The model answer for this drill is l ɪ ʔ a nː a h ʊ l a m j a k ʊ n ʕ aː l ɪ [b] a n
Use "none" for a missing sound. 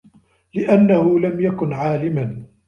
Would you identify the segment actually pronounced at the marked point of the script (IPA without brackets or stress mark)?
m